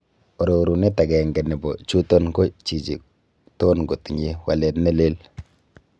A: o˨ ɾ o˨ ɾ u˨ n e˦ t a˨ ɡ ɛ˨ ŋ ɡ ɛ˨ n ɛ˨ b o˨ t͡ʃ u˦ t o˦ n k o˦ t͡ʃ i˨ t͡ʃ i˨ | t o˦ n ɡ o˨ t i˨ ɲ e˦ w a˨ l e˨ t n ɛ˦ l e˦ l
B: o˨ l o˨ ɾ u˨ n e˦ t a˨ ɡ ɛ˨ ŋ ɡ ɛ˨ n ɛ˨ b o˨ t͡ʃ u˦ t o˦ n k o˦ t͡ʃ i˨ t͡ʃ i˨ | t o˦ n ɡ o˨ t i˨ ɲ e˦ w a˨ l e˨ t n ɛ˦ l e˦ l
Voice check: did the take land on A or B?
A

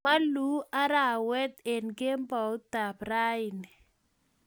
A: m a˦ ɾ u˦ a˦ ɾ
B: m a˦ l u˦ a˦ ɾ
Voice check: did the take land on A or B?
B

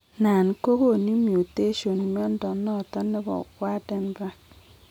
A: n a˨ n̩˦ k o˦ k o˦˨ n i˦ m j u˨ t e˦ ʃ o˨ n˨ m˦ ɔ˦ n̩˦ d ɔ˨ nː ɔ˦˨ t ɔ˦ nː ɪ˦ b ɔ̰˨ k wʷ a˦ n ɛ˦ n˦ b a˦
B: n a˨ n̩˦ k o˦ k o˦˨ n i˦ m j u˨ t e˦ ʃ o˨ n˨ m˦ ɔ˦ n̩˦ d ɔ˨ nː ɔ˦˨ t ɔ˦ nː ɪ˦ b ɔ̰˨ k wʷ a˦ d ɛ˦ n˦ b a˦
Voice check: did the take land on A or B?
B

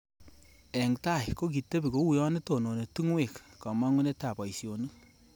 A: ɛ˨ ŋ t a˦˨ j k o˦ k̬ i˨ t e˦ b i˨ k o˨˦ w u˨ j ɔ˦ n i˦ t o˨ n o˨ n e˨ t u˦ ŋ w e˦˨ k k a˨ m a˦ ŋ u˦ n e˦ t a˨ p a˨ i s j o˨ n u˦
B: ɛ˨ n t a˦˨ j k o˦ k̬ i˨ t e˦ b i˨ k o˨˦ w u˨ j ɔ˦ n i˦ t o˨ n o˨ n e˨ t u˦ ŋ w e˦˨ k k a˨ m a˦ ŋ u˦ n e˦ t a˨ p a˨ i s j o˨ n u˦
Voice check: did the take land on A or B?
A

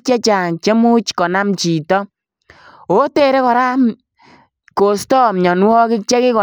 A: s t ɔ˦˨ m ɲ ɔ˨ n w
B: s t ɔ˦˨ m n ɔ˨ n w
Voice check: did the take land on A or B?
A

